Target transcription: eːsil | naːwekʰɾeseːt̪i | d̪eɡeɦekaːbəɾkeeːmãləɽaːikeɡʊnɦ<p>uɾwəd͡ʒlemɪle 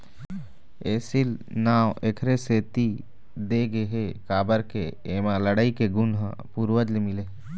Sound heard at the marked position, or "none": p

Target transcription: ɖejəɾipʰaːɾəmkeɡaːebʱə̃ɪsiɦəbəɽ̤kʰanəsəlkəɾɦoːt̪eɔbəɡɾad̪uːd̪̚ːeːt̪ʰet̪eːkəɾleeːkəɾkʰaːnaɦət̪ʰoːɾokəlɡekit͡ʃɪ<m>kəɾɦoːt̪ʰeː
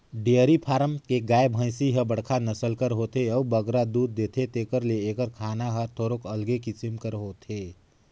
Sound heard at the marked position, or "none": m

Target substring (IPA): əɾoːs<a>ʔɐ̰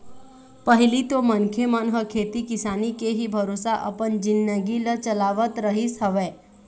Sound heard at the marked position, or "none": a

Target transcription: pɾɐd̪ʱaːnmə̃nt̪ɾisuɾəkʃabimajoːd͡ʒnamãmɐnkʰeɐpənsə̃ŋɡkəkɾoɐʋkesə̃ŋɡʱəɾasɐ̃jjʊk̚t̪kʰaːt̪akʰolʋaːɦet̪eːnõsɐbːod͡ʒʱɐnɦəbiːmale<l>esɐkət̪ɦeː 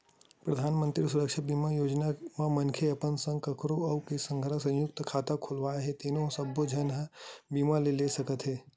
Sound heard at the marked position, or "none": l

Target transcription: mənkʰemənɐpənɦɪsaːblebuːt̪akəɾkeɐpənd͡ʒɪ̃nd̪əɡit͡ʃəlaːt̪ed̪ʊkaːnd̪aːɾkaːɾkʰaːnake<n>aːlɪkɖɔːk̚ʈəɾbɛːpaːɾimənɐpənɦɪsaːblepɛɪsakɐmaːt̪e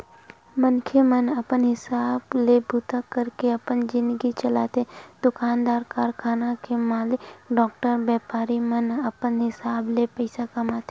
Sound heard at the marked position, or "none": m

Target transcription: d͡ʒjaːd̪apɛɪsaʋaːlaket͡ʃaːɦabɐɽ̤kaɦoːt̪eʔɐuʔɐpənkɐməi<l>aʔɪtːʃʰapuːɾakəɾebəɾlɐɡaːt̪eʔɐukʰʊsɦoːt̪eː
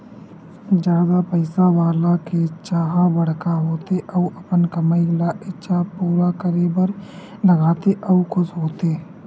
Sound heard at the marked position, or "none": l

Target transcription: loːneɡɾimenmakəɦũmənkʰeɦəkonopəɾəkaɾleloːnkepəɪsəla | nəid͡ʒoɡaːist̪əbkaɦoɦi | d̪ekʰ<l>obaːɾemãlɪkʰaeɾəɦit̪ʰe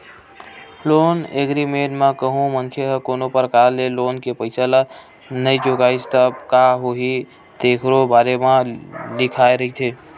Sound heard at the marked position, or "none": ɾ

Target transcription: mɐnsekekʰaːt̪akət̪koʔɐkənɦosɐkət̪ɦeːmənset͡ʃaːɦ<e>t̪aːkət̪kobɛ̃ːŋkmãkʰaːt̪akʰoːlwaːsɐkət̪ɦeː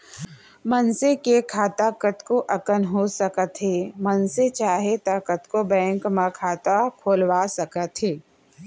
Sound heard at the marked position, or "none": e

